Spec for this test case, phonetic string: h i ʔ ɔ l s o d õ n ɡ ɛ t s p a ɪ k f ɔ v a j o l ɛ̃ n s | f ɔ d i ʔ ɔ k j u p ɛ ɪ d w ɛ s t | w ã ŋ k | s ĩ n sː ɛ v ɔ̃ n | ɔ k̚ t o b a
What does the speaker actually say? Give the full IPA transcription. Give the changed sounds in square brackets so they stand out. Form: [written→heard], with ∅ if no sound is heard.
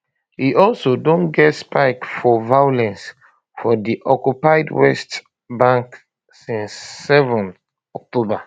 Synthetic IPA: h i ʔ ɔ l s o d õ n ɡ ɛ t s p a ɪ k f ɔ v a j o l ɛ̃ n s | f ɔ d i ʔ ɔ k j u p [ɛ→a] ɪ d w ɛ s t | [w→b] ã ŋ k | s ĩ n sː ɛ v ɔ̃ n | ɔ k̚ t o b a